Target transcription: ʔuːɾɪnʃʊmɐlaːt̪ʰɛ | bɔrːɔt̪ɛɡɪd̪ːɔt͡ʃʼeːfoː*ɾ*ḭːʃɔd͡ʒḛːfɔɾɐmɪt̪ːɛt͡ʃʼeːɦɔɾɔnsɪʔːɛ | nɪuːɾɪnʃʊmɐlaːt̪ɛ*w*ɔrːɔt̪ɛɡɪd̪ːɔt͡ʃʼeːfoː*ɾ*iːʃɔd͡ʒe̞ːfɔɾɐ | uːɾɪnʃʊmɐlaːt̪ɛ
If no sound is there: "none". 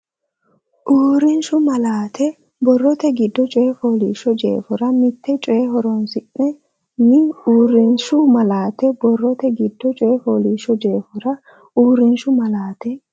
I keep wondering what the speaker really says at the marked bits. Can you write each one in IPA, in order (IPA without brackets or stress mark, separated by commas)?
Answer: l, b, l